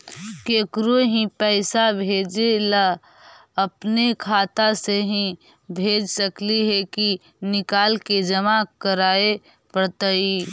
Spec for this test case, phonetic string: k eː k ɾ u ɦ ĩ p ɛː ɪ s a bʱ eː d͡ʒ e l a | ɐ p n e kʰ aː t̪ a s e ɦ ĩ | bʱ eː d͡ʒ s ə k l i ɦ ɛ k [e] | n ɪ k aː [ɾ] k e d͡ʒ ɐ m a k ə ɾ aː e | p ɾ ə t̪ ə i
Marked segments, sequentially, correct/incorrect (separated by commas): incorrect, incorrect